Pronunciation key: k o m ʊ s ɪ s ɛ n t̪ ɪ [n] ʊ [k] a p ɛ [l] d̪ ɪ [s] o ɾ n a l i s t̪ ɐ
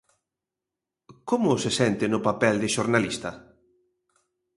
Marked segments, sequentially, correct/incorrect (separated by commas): correct, incorrect, correct, incorrect